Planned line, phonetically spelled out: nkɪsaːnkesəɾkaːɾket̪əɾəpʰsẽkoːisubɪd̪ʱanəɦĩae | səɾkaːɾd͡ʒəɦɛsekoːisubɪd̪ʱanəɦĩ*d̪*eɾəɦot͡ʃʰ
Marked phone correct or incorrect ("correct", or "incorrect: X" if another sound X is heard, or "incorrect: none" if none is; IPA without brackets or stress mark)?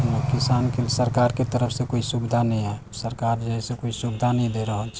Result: correct